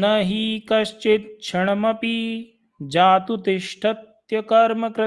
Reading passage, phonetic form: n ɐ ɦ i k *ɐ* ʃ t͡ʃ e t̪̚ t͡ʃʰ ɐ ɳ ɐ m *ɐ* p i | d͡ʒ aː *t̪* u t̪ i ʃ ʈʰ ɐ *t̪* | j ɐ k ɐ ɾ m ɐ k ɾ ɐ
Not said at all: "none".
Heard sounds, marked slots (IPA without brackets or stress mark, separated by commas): ɐ, ɐ, t̪, t̪